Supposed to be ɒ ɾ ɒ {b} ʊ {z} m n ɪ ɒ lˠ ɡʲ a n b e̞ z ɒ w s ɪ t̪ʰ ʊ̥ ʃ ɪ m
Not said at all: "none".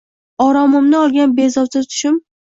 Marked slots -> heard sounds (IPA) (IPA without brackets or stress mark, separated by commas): m, none